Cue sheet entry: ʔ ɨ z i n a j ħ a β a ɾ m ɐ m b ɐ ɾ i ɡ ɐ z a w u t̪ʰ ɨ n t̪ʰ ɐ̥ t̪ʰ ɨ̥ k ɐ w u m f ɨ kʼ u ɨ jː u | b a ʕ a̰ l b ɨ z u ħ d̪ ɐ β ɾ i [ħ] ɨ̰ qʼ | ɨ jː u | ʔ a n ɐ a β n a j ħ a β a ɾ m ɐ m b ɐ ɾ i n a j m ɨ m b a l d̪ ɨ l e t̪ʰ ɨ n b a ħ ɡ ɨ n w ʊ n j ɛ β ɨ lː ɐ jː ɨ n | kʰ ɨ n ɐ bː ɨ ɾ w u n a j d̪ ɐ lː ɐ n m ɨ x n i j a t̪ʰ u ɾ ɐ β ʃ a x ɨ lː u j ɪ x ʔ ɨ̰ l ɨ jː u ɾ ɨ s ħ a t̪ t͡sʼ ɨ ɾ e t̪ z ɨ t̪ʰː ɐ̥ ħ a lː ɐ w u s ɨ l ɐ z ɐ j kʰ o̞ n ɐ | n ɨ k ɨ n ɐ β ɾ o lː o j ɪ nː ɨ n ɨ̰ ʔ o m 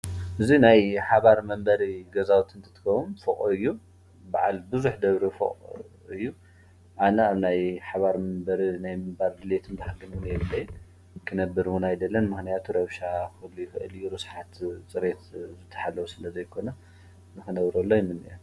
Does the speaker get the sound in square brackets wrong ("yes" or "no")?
yes